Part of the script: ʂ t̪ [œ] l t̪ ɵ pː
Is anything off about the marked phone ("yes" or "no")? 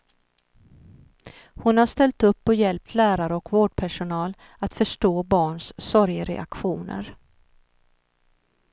yes